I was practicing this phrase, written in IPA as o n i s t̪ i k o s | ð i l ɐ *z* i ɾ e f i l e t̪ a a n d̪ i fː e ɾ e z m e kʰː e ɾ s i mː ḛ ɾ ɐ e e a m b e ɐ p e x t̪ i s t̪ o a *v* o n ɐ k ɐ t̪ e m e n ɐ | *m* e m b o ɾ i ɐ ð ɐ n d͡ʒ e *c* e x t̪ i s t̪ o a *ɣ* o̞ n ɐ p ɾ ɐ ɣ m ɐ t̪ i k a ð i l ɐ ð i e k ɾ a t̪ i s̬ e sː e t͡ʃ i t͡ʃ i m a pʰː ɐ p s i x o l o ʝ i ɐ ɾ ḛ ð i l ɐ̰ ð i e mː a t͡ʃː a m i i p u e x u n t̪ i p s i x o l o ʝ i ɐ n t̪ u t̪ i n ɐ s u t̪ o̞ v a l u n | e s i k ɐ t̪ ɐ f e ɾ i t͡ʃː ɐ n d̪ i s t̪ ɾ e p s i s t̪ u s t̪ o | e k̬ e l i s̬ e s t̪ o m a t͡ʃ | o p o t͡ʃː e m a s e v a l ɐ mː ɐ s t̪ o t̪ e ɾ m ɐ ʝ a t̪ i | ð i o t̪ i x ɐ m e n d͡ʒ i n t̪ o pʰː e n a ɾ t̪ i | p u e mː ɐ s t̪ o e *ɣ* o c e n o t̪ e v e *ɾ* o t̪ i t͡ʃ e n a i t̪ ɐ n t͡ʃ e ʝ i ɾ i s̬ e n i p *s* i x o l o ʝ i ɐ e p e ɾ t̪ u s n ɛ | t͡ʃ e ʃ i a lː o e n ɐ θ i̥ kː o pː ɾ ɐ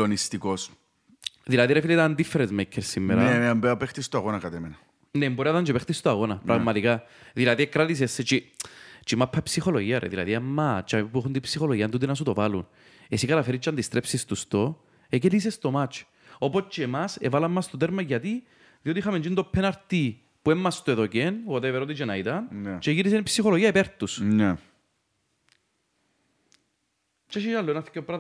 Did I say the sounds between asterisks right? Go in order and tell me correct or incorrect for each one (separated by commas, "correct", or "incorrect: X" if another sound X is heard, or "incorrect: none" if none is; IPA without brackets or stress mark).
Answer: incorrect: ð, incorrect: ɣ, incorrect: n, incorrect: p, correct, incorrect: ð, correct, correct